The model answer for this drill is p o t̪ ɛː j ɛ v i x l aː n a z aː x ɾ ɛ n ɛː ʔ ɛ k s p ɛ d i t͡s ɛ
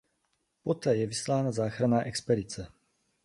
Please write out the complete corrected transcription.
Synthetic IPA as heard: p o t̪ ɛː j ɛ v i s l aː n a z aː x ɾ a n aː ʔ ɛ k s p ɛ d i t͡s ɛ